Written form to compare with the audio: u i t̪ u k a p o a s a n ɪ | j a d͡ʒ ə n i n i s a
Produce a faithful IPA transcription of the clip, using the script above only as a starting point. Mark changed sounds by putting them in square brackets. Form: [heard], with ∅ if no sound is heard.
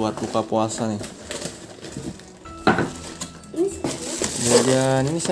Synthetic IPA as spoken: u [a] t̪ u k a p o a s a n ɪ | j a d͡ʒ [a] n i n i s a